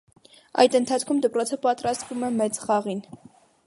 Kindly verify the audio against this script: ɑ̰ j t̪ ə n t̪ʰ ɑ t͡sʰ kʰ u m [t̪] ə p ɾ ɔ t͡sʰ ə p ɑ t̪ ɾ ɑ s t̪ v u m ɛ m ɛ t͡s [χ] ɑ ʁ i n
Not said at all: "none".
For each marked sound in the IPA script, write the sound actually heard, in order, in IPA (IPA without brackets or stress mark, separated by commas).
d̪, χ